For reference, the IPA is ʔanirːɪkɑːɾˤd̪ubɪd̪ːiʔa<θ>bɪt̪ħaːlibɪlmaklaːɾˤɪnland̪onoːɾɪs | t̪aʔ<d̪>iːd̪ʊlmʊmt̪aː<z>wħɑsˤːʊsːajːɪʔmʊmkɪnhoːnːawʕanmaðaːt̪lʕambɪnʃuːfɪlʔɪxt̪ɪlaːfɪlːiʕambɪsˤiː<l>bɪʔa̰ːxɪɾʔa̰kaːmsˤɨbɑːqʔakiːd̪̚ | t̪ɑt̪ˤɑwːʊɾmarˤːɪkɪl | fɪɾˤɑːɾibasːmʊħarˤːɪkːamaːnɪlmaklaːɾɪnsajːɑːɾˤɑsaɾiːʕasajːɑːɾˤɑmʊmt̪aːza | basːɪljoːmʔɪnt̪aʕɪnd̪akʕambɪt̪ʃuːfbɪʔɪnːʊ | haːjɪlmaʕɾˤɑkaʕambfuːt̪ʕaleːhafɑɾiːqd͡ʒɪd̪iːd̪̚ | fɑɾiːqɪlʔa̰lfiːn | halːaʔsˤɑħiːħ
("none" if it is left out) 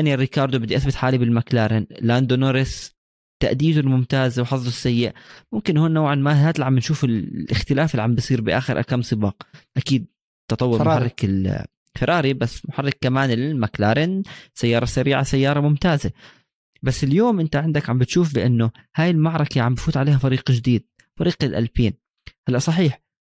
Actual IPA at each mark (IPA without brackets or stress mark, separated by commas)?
θ, d̪, z, ɾ